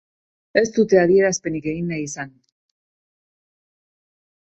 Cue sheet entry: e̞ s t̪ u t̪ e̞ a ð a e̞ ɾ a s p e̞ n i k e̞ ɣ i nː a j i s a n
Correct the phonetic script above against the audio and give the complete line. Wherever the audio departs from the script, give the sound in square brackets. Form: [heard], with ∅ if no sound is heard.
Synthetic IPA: e̞ s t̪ u t̪ e̞ a ð [i] e̞ ɾ a s p e̞ n i k e̞ ɣ i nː a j i s a n